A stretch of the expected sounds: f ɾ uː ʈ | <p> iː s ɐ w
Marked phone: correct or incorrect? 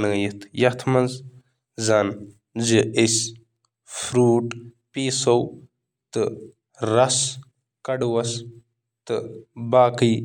correct